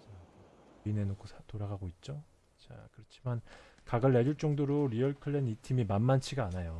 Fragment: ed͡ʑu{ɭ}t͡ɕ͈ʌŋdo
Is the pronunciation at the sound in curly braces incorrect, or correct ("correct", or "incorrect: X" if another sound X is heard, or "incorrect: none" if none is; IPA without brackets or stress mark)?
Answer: correct